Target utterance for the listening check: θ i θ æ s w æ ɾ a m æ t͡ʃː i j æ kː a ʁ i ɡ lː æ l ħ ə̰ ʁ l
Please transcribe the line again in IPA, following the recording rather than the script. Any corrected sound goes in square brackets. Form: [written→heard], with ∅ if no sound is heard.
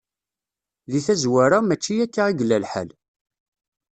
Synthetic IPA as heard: [θ→ð] i θ æ [s→z] w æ ɾ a m æ t͡ʃː i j æ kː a ʁ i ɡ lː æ l ħ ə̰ [ʁ→∅] l